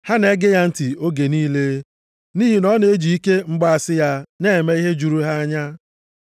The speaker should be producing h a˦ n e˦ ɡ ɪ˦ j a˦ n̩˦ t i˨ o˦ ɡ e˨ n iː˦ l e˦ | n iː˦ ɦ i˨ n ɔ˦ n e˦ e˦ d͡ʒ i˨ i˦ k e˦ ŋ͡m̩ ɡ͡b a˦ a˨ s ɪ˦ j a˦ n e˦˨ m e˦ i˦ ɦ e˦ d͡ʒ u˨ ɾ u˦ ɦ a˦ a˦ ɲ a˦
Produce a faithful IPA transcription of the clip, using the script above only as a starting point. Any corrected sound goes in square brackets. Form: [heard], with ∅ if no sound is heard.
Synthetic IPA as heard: h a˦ n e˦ ɡ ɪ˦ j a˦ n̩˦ t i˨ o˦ ɡ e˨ n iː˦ l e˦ | n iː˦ ɦ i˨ n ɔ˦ n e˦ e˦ d͡ʒ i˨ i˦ k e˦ ŋ͡m̩ ɡ͡b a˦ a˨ s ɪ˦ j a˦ n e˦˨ m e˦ i˦ ɦ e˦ d͡ʒ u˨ ɾ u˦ ɦ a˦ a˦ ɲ a˦